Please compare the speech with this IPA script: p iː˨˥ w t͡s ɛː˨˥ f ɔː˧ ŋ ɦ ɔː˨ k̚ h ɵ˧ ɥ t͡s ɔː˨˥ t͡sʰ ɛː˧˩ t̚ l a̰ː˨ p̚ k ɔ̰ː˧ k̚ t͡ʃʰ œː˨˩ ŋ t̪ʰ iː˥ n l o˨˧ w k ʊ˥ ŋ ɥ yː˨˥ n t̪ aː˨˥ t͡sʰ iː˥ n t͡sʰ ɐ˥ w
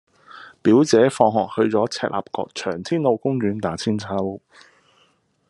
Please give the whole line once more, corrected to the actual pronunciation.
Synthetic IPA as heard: p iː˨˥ w t͡s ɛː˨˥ f ɔː˧ ŋ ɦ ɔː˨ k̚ h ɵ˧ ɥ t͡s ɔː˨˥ t͡sʰ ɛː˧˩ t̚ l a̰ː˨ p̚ k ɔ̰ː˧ k̚ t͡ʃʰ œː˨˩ ŋ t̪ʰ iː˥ n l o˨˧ w k ʊ˥ ŋ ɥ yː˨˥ n t̪ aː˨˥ t͡sʰ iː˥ n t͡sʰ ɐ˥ w